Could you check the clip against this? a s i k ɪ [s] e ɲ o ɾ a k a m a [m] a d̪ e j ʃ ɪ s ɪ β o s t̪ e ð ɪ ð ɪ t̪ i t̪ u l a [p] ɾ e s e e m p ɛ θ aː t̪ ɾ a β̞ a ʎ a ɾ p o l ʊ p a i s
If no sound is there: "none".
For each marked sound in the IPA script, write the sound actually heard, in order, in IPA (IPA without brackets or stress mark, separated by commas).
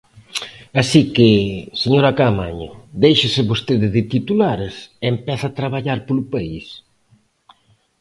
s, ɲ, none